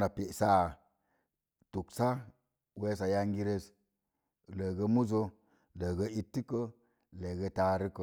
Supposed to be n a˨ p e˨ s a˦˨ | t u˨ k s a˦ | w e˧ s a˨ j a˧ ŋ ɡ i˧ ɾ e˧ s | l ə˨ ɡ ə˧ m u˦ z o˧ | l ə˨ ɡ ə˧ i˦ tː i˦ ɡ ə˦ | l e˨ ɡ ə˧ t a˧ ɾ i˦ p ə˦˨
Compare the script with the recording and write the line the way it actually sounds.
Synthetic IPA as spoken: n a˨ p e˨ s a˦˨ | t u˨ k s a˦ | w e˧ s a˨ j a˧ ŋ ɡ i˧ ɾ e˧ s | l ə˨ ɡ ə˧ m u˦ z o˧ | l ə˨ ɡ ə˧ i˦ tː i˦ k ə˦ | l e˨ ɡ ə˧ t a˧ ɾ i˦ k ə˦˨